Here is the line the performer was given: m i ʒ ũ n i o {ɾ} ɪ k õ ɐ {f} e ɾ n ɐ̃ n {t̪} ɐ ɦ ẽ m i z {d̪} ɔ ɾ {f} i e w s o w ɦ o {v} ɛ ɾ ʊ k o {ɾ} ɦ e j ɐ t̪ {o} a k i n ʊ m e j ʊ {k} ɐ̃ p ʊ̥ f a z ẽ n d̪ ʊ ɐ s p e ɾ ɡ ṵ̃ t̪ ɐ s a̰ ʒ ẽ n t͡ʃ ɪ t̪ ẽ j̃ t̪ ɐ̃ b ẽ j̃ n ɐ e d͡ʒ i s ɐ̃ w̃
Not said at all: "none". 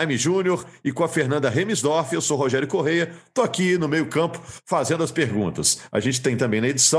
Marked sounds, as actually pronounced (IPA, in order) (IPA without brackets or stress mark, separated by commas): ɾ, f, d̪, d̪, f, ʒ, none, o, k